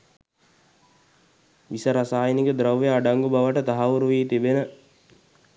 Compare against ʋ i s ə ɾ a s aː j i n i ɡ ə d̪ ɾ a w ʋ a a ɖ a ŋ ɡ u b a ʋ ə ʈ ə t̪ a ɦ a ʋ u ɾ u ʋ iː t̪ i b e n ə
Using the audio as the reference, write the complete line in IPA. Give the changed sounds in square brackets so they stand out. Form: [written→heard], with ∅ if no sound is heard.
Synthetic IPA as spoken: ʋ i s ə ɾ a s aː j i n i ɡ ə d̪ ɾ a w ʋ [a→e] a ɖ a ŋ ɡ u b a ʋ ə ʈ ə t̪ a ɦ a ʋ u ɾ u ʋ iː t̪ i b e n ə